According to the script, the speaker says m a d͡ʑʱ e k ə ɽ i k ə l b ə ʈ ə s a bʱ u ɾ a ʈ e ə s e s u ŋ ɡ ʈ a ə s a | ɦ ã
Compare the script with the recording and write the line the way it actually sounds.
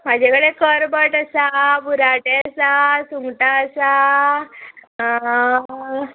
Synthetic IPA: m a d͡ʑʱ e k ə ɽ e k ə ɾ b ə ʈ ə s a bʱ u ɾ a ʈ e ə s a s u ŋ ɡ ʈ a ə s a | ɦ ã